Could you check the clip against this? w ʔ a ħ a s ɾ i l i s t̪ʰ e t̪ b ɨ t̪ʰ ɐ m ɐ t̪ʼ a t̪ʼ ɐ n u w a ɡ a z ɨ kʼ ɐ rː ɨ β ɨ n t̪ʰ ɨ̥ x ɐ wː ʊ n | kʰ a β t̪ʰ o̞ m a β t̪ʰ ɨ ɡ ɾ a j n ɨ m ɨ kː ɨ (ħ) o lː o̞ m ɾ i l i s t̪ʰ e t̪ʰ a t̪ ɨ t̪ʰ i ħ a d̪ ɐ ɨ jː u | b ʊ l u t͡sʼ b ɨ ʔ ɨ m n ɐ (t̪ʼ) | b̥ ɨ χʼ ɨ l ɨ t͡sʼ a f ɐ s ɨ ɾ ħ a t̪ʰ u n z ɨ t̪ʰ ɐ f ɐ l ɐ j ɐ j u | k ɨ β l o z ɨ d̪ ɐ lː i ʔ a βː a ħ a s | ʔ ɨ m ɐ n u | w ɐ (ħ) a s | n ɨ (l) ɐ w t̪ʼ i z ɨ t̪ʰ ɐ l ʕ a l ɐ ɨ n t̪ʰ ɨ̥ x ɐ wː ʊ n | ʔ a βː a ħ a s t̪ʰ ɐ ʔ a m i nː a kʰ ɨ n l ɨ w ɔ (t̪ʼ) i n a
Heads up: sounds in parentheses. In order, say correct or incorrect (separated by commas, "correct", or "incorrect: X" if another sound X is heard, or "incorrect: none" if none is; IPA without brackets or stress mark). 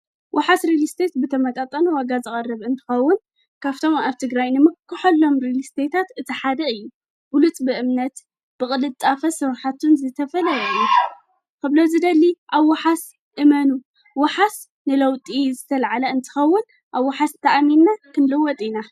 correct, incorrect: t̪, correct, correct, correct